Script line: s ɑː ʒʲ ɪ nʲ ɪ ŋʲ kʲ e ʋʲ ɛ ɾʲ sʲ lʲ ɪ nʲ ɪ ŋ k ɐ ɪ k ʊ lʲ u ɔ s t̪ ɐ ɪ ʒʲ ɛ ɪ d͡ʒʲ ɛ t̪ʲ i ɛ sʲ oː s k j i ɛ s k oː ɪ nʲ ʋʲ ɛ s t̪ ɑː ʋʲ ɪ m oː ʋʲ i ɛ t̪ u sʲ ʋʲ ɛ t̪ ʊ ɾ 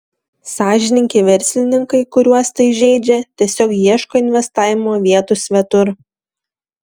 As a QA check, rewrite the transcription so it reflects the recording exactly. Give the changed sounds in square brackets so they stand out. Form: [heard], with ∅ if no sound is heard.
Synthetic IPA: s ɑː ʒʲ ɪ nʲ ɪ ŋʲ kʲ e ʋʲ ɛ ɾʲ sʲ lʲ ɪ nʲ ɪ ŋ k ɐ ɪ k ʊ [ɾʲ] u ɔ s t̪ ɐ ɪ ʒʲ ɛ ɪ d͡ʒʲ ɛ t̪ʲ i ɛ sʲ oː [∅] k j i ɛ [ʃ] k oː ɪ nʲ ʋʲ ɛ s t̪ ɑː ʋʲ ɪ m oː ʋʲ i ɛ t̪ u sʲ ʋʲ ɛ t̪ ʊ ɾ

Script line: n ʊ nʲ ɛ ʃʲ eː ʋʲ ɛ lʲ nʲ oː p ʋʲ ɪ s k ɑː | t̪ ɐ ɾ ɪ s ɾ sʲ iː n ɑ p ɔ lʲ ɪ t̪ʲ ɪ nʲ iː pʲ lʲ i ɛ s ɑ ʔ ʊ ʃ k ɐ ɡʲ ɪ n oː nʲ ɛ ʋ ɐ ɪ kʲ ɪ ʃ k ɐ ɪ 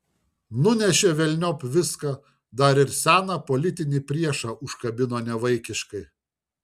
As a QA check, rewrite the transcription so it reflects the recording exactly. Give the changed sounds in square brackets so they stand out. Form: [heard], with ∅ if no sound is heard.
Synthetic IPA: n ʊ nʲ ɛ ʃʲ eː ʋʲ ɛ lʲ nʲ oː p ʋʲ ɪ s k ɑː | [d̪] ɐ ɾ ɪ [∅] ɾ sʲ [æː] n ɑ p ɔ lʲ ɪ t̪ʲ ɪ nʲ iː pʲ [ɾʲ] i ɛ [ʃ] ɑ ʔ ʊ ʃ k ɐ [bʲ] ɪ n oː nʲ ɛ ʋ ɐ ɪ kʲ ɪ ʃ k ɐ ɪ

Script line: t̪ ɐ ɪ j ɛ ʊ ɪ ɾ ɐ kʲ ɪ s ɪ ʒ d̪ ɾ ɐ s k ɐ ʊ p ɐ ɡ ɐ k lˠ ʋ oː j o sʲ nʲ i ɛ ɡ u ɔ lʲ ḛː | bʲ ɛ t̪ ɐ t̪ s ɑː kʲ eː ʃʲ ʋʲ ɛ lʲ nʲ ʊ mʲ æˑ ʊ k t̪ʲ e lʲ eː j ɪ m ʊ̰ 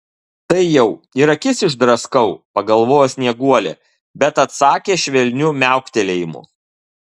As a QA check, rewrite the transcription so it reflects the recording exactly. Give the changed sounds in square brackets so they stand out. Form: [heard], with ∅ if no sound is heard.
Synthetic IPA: t̪ ɐ ɪ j ɛ ʊ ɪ ɾ ɐ kʲ ɪ s ɪ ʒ d̪ ɾ ɐ s k ɐ ʊ p ɐ ɡ ɐ [∅] lˠ ʋ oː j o sʲ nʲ i ɛ ɡ u ɔ lʲ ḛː | bʲ ɛ t̪ ɐ t̪ s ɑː kʲ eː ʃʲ ʋʲ ɛ lʲ nʲ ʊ mʲ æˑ ʊ k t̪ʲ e lʲ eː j ɪ m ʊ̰

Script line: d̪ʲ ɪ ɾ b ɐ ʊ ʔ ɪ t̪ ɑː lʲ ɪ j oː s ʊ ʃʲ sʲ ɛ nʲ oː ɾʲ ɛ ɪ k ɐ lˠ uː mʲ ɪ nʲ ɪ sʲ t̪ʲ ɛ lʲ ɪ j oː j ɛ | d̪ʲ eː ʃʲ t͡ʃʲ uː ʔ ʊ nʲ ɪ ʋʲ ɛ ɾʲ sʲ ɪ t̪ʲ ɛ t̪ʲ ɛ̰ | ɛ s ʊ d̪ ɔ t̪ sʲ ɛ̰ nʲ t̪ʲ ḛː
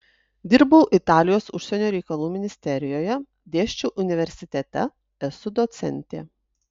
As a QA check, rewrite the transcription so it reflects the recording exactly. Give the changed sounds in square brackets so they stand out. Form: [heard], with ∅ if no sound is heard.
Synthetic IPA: d̪ʲ ɪ ɾ b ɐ ʊ ʔ ɪ t̪ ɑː lʲ ɪ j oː s ʊ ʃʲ sʲ ɛ nʲ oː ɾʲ ɛ ɪ k ɐ lˠ uː mʲ ɪ nʲ ɪ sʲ t̪ʲ ɛ [ɾʲ] ɪ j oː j ɛ | d̪ʲ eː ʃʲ t͡ʃʲ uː ʔ ʊ nʲ ɪ ʋʲ ɛ ɾʲ sʲ ɪ t̪ʲ ɛ t̪ʲ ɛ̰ | ɛ s ʊ d̪ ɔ t̪ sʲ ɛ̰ nʲ t̪ʲ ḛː

